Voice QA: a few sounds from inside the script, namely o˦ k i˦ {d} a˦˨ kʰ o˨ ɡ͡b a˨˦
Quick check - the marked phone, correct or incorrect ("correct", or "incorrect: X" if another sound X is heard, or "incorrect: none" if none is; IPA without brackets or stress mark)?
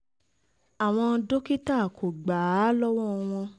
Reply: incorrect: t